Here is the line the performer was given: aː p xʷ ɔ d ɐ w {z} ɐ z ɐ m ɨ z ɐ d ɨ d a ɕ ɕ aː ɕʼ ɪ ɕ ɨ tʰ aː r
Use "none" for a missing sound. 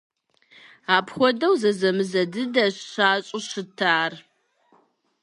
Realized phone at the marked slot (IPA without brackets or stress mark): z